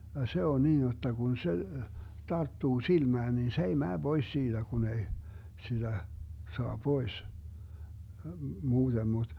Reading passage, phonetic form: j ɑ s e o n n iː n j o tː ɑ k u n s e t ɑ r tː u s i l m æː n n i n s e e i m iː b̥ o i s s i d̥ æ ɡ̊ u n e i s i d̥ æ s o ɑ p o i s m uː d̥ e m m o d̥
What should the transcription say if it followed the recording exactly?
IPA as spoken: j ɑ s e o n n iː n j o tː ɑ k u n s e t ɑ r tː uː s i l m æː n n i n s e e i m æː b̥ o i s s iː d̥ æ ɡ̊ u n e i s i d̥ æ s o ɑ p o i s m uː d̥ e m m u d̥

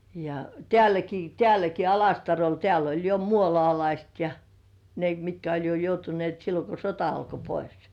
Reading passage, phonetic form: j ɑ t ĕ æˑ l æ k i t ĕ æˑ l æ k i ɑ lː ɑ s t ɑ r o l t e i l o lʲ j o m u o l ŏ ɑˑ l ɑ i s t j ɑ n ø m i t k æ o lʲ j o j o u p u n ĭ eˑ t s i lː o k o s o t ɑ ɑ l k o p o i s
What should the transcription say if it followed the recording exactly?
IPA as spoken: j ɑ t ĕ æˑ l æ k i t ĕ æˑ l æ k i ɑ l ɑ s t ɑ r o l t e æ l o lʲ j o m u o l ŏ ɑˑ l ɑ i s t j ɑ n e m i t k æ o lʲ j o j o u t u n ĭ eˑ t s i lː o k o s o t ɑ ɑ l k o p o i s

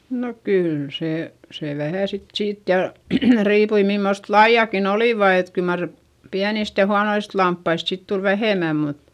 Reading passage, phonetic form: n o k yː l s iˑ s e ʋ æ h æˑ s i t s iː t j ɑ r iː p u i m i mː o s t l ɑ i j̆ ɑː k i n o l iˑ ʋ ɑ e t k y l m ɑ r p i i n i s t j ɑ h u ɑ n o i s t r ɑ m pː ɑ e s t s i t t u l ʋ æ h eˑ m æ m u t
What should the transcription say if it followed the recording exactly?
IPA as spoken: n o k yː l s eˑ s e ʋ æ h æˑ s i t s iː t j ɑ r iː p u i m i mː o s t l ɑ i j̆ ɑ k i n o l iˑ ʋ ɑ e t k y l m ɑ r p i æ n i s t j ɑ h u ɑ n o i s t l ɑ m pː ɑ i s t s i t t u l ʋ æ h eˑ m æ m u t

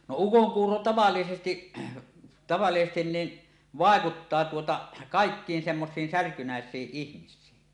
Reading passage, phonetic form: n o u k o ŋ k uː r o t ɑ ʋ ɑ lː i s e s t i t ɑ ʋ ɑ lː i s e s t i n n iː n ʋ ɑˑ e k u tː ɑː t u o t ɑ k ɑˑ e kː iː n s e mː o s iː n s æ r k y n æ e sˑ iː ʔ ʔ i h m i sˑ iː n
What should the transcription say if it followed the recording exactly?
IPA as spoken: n o u k o ŋ k uː r o t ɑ ʋ ɑ lː i s e s t i t ɑ ʋ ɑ lː i s e s t i n n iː n ʋ ɑˑ e k u tː ɑː t u o t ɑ k ɑˑ e kː iː n s e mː o s iː n s æ r k y n æ e sˑ iː ʔ ʔ i h m i sˑ iː n

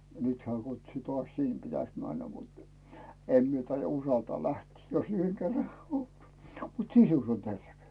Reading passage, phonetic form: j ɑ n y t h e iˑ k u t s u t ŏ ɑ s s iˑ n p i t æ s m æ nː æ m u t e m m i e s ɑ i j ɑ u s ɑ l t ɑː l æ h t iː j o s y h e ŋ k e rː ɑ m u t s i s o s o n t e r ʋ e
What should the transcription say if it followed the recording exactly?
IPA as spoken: j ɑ n y t h e æˑ k u t s u t ŏ ɑ s s iˑ n p i t æ s m æ nː æ m u t e m m i e t ɑ i j ɑ u s ɑ l t ɑː l æ h t iː j o s y h e ŋ k e rː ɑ m u t s i s u s o n t e r ʋ e

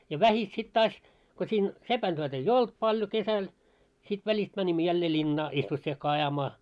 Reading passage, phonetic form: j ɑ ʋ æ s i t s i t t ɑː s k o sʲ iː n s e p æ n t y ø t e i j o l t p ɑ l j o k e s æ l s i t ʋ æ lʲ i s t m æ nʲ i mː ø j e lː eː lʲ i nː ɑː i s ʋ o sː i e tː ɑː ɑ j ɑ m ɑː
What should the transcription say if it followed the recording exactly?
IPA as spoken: j ɑ ʋ æ h i t s i t t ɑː s k o sʲ iː n s e p æ n t y ø t e i j o l t p ɑ l j o k e s æ l s i t ʋ æ lʲ i s t m æ nʲ i mː ø j æ lː eː lʲ i nː ɑː i s ʋ o sː i e kː ɑː ɑ j ɑ m ɑː

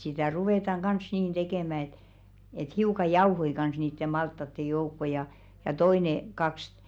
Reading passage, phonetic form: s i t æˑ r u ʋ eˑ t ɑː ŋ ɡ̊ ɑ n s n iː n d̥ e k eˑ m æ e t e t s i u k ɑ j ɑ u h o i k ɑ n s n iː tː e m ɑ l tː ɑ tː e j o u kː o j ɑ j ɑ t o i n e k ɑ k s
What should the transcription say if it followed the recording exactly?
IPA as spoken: s i t æˑ r u ʋ eˑ t ɑ ŋ ɡ̊ ɑ n s n iː n d̥ e k eˑ m æ e t e t h i u k ɑ j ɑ u h o i k ɑ n s n iː tː e m ɑ l tː ɑ tː e j o u kː o j ɑ j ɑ t o i n e k ɑ k s

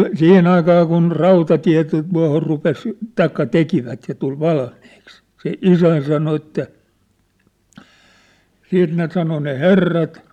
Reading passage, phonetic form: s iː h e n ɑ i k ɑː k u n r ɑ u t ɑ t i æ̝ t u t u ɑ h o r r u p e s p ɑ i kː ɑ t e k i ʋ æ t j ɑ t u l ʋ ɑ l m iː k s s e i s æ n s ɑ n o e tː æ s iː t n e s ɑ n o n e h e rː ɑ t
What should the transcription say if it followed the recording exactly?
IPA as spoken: s iː h e n ɑ i k ɑː k u n r ɑ u t ɑ t i æ̝ t u t u ɑ h o r r u p e s t ɑ i kː ɑ t e k i ʋ æ t j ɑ t u l ʋ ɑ l m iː k s s e i s æ n s ɑ n o e tː æ s iː t n e s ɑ n o n e h e rː ɑ t

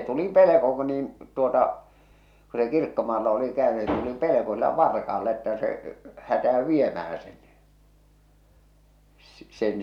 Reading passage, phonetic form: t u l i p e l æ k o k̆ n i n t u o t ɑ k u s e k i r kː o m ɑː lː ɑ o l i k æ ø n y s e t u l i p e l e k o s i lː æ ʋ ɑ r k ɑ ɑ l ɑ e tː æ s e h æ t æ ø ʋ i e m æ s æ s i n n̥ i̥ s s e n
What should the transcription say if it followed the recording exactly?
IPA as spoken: t u l i p e l e k o k̆ n iː n t u o t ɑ k u s e k i r kː o m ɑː lː ɑ o l i k æ ø n y s e t u l i p e l e k o s i lː æ ʋ ɑ r k ɑ ɑ lː ɑ e tː æ s e h æ t æ ø ʋ i e m æ h æ s e n n̥ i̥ s s e n

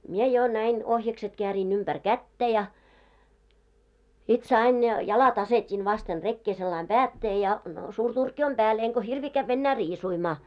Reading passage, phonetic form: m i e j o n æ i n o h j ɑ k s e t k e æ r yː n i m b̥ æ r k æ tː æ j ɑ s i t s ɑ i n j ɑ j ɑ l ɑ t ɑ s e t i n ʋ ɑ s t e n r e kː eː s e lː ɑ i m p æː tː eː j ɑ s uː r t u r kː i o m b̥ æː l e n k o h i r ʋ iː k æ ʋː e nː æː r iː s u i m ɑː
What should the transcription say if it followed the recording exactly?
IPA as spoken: m i e j o n æ i n o h j ɑ k s e t k e æ r iː n y m b̥ æ r k æ tː æ j ɑ s i t s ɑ i n j ɑ j ɑ l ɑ t ɑ s e t i n ʋ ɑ s t e n r e kː eː s e lː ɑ i m p æː tː eː j ɑ s uː r t u r kː i o m b̥ æː l e ŋ k o h i r ʋ iː k æ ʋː e nː æː r iː s u i m ɑː

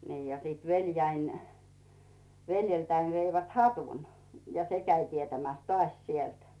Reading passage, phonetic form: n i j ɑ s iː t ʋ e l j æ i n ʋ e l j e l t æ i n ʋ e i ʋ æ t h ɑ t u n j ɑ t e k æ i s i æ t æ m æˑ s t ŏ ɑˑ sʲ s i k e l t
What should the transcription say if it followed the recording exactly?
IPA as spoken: n iː j ɑ s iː t ʋ e l j æ i n ʋ e l j e l t æ i n ʋ e i ʋ æ t h ɑ t u n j ɑ s e k æ i t i e t æ m æˑ s t ŏ ɑˑ sʲ s i e l t

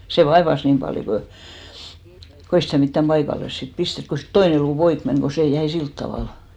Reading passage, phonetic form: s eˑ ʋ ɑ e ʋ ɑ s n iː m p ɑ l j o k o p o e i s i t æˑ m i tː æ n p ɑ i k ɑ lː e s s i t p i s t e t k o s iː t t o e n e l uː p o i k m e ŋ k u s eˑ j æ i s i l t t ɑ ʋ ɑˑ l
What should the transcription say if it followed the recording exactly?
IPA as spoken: s eˑ ʋ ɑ e ʋ ɑ s n iː m p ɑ l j o k o k o e i s i t æˑ m i tː æ m p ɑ i k ɑ lː e s s i t p i s t e t k o s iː t t o i n e l uː p o i k m e ŋ k o s eˑ j æ i s i l t t ɑ ʋ ɑˑ l

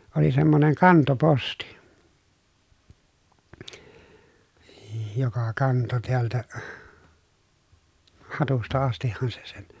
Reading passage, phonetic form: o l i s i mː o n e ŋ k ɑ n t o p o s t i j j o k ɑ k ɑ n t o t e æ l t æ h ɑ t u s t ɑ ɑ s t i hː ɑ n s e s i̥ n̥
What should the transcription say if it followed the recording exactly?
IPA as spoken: o l i s e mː o n e ŋ k ɑ n t o p o s t i j j o k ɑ k ɑ n t o t e æ l t æ h ɑ t u s t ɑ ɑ s t i hː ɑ n s e s e̥ n̥

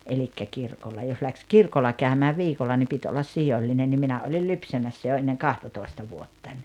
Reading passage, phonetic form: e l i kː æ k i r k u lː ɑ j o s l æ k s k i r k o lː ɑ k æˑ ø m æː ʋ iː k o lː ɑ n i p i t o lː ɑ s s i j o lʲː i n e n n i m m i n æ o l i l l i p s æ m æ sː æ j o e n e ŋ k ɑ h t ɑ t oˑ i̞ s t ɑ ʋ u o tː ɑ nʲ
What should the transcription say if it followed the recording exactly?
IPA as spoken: e l i kː æ k i r k o lː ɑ j o s l æ k s k i r k o lː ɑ k æˑ ø m æː ʋ iː k o lː ɑ n i p i t o lː ɑ s s i j o lʲː i n e n n i m m i n æ o l i l l y p s æ m æ sː æ j o e nː e ŋ k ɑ h t ɑ t oˑ i̞ s t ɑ ʋ u o tː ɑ nʲ

